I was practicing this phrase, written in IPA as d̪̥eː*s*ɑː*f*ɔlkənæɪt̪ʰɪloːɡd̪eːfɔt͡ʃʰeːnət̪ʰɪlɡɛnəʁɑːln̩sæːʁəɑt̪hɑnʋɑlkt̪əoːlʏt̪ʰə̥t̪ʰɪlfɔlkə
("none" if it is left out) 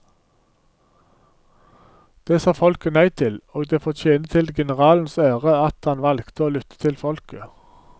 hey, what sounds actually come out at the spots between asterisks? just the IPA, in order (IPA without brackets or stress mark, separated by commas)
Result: s, f